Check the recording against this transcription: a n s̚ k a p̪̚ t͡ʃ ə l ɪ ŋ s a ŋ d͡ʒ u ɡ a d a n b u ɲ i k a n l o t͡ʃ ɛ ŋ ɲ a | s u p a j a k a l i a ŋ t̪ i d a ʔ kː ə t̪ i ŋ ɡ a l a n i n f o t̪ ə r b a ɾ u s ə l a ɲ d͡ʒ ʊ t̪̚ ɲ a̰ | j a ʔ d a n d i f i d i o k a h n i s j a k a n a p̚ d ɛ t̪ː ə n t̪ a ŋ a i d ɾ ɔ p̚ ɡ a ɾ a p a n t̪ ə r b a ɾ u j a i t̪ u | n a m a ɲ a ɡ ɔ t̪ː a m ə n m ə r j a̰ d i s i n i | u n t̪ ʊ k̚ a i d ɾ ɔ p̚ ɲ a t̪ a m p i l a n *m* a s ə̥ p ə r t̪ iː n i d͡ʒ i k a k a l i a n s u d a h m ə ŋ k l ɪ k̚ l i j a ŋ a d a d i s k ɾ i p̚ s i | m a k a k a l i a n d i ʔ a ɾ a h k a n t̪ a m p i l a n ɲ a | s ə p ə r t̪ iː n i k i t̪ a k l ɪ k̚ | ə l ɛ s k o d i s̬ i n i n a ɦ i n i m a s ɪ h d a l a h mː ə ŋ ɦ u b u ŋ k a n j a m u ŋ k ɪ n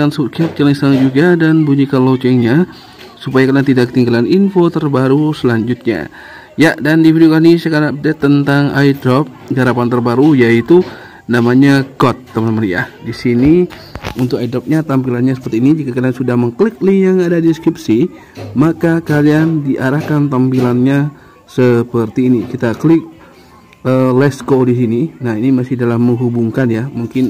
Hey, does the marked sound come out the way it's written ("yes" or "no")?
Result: no